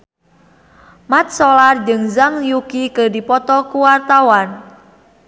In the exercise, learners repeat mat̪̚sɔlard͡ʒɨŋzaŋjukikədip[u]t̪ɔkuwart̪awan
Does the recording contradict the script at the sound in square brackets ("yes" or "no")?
yes